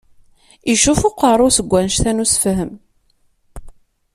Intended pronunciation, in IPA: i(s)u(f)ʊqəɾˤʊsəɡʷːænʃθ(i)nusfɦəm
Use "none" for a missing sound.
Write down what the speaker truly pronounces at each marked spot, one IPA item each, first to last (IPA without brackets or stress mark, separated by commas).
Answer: ʃ, f, æ